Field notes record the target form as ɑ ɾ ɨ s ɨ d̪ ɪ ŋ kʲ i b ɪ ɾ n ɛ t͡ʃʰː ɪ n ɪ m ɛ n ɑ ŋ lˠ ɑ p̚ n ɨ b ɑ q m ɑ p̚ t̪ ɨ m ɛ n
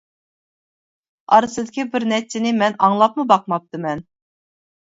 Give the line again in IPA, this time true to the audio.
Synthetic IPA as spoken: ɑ ɾ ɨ s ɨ d̪ ɪ kʲ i b ɪ ɾ n ɛ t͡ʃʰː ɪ n ɪ m ɛ n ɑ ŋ lˠ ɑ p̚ m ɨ b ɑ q m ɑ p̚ t̪ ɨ m ɛ n